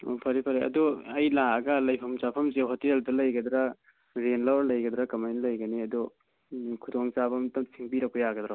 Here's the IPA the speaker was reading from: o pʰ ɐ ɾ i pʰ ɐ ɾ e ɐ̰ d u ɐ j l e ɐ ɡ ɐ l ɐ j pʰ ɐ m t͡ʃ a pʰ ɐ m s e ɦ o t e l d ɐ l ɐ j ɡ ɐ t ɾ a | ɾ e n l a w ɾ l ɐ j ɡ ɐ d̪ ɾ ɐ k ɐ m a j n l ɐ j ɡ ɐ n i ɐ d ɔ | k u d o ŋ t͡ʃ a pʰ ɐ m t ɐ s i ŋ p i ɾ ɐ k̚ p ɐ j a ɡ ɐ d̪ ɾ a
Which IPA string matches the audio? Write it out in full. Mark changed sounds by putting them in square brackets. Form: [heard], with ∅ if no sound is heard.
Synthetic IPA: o pʰ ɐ ɾ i pʰ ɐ ɾ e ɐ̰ d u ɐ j l [a] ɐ ɡ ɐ l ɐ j pʰ ɐ m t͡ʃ a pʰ ɐ m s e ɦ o t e l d ɐ l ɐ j ɡ ɐ [d] ɾ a | ɾ e n l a w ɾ l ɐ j ɡ ɐ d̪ ɾ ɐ k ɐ m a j n l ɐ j ɡ ɐ n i ɐ d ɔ | [kʰ] u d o ŋ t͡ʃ a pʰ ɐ m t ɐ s i ŋ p i ɾ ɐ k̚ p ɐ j a ɡ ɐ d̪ ɾ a